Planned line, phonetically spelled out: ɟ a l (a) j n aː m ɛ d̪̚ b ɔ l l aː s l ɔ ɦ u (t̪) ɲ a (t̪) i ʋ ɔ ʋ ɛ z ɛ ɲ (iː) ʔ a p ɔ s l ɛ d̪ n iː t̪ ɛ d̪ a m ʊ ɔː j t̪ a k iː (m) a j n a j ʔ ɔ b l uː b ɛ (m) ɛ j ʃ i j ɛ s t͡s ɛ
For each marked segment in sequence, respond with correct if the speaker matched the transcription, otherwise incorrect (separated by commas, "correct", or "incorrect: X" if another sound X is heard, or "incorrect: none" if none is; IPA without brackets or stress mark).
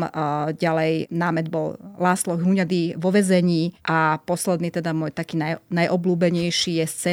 incorrect: ɛ, incorrect: none, incorrect: d̪, correct, incorrect: n, incorrect: ɲ